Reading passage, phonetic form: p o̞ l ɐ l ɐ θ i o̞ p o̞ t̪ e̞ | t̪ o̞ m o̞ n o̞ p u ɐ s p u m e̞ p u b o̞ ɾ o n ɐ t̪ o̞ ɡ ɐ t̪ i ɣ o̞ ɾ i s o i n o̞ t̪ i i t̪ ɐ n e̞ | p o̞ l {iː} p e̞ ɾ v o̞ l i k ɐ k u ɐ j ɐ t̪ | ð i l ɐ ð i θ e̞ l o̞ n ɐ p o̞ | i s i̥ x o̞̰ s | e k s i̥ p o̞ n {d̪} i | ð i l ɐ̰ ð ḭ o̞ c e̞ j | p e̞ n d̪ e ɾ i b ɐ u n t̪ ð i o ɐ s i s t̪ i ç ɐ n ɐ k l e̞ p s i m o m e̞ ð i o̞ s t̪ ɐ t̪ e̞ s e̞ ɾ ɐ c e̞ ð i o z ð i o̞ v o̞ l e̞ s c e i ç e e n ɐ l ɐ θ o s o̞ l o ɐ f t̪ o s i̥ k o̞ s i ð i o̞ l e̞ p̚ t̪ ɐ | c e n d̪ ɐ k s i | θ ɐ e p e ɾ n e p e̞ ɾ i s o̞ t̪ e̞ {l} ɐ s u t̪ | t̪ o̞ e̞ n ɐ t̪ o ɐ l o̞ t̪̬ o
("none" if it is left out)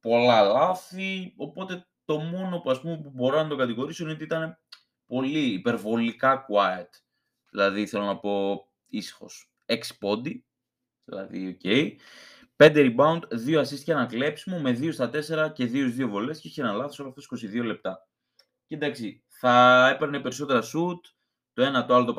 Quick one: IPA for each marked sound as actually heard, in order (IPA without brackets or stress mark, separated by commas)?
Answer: iː, d̪, ɾ